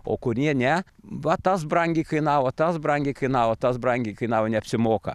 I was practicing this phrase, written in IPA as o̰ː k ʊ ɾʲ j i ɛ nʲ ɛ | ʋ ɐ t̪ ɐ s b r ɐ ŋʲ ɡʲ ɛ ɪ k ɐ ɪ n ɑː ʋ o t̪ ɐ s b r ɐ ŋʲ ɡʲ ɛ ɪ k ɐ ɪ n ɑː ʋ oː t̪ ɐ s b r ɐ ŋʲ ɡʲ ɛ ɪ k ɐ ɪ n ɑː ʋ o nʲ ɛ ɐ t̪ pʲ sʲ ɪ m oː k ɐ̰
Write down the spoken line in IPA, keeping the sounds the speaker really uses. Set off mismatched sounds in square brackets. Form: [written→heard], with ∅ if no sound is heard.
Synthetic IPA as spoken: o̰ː k ʊ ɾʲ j i ɛ nʲ ɛ | ʋ ɐ t̪ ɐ s b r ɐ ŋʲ ɡʲ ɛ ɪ k ɐ ɪ n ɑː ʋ o t̪ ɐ s b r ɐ ŋʲ ɡʲ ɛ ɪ k ɐ ɪ n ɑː ʋ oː t̪ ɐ s b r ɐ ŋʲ ɡʲ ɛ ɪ k ɐ ɪ n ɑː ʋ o nʲ ɛ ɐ [t̪→∅] pʲ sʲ ɪ m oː k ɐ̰